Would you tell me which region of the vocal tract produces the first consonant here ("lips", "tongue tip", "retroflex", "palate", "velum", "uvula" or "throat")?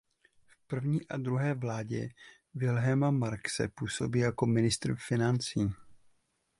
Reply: lips